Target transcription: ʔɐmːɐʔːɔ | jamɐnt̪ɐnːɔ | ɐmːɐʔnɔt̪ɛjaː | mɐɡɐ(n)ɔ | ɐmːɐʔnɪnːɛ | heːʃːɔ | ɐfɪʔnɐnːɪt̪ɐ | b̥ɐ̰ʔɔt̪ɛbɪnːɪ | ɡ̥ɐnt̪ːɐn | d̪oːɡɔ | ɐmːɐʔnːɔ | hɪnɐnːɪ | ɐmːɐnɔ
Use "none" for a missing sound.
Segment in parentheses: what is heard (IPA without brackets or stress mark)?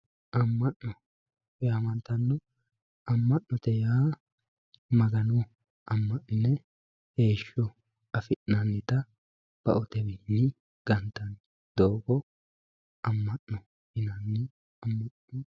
n